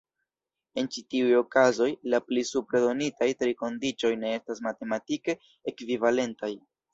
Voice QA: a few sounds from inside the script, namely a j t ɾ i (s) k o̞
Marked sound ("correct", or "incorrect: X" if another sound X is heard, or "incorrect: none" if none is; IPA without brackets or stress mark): incorrect: none